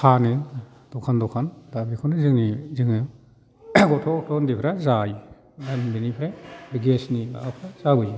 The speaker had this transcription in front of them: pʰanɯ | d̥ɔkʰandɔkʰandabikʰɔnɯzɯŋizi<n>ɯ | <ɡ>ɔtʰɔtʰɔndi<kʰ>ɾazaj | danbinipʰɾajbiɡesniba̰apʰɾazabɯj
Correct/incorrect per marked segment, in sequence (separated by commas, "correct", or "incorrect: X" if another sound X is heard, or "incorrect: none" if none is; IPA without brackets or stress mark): incorrect: ŋ, correct, incorrect: pʰ